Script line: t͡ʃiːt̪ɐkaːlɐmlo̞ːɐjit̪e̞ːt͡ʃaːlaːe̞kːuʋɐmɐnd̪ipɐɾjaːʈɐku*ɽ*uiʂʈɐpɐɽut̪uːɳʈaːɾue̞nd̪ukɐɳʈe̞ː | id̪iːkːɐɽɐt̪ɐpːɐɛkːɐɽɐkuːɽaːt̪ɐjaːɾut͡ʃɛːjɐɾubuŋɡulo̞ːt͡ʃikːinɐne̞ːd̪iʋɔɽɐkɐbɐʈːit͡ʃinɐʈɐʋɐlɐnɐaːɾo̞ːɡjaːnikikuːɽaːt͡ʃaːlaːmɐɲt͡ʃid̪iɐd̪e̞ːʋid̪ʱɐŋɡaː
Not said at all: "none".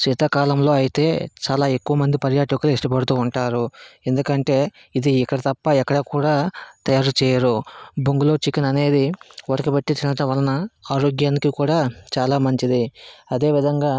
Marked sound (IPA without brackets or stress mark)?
l